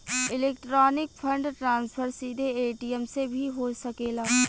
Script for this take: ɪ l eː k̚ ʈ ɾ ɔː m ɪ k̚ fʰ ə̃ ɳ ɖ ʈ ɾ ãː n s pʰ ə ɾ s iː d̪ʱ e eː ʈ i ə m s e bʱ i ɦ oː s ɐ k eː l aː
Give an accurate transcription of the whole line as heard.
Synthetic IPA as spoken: ɪ l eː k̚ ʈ ɾ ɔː n ɪ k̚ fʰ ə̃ ɳ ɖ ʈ ɾ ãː n s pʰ ə ɾ s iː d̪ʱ e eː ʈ i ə m s e bʱ i ɦ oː s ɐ k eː l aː